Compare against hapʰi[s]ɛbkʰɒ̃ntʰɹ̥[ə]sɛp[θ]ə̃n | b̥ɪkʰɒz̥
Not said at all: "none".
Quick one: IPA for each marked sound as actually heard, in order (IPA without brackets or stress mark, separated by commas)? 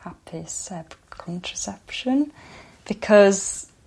s, ə, ʃ